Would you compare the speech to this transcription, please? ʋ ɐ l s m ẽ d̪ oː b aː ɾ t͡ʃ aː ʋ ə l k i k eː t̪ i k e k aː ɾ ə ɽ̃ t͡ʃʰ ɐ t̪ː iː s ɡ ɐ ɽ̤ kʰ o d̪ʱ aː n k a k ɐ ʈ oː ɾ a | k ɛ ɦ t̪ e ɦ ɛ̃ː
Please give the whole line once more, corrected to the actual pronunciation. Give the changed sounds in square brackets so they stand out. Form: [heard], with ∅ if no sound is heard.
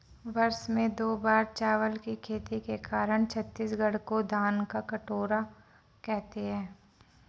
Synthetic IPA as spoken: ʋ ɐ [ɾ] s m ẽ d̪ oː b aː ɾ t͡ʃ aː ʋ ə l k i [kʰ] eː t̪ i k e k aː ɾ ə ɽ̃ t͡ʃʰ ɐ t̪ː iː s ɡ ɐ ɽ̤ [k] o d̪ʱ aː n k a k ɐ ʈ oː ɾ a | k ɛ ɦ t̪ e ɦ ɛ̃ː